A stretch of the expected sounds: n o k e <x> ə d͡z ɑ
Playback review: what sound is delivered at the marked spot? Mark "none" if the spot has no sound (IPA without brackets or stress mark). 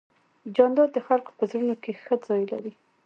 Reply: x